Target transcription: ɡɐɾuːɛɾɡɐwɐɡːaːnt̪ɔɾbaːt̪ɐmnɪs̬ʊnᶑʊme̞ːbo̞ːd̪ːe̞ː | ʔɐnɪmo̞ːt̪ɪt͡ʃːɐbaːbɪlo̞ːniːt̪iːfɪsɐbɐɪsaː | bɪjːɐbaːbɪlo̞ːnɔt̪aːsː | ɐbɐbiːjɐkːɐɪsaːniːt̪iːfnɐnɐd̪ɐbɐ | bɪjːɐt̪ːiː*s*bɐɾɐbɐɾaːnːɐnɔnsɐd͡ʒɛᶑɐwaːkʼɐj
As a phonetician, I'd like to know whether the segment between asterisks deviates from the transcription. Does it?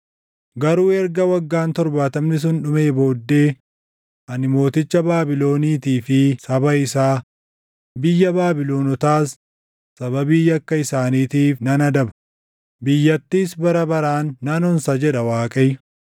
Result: no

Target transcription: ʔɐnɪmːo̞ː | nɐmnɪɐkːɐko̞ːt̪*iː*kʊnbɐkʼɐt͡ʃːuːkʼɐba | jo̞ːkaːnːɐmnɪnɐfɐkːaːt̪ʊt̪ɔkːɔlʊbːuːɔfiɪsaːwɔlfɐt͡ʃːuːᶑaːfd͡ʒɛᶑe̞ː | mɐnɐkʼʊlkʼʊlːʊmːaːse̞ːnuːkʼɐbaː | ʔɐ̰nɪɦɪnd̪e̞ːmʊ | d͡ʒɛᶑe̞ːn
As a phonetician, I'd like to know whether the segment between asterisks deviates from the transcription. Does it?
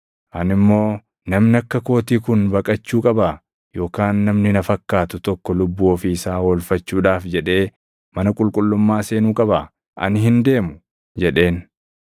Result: no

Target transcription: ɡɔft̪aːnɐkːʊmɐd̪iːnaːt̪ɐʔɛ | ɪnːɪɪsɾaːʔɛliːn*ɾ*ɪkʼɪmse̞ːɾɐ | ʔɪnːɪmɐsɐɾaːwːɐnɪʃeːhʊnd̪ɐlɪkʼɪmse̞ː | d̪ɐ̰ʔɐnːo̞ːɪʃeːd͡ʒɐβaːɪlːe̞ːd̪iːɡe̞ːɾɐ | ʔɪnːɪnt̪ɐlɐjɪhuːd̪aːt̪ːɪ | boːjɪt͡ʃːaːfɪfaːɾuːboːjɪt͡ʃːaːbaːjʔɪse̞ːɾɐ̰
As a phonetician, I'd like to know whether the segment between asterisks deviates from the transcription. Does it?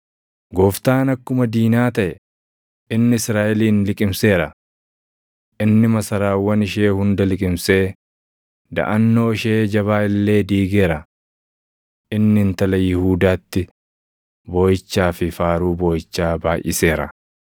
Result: yes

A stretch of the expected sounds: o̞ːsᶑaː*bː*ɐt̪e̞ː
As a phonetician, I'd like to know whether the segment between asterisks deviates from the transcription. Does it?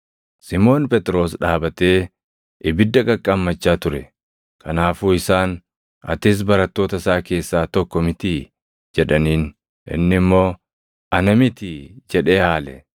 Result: yes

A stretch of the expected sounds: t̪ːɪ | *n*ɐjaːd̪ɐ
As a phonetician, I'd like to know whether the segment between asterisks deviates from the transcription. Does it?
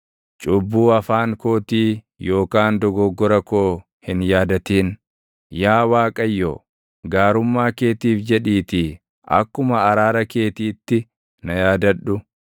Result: no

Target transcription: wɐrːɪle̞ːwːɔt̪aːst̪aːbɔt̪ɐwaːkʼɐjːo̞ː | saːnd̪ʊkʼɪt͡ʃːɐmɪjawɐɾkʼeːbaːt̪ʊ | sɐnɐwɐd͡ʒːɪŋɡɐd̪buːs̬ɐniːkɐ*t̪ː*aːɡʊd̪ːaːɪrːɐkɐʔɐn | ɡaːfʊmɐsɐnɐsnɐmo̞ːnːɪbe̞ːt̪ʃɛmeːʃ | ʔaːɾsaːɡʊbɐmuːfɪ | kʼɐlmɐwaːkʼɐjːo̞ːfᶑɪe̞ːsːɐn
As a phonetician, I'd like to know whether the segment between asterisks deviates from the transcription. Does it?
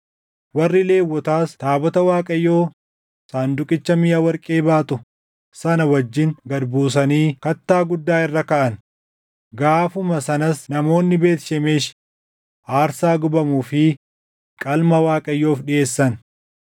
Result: no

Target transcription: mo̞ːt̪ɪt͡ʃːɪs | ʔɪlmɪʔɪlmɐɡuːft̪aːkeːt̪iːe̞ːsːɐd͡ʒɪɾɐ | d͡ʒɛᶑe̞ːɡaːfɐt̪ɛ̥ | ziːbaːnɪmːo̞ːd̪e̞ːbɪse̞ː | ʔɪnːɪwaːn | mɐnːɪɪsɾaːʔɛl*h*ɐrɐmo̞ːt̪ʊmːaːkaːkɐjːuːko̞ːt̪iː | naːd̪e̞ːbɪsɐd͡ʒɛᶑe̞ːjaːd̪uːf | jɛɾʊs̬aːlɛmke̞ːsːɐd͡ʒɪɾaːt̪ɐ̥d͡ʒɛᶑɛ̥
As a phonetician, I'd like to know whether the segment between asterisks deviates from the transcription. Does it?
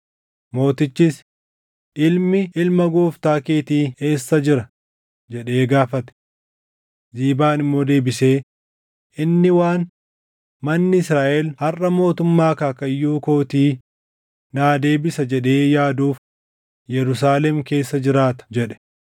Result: no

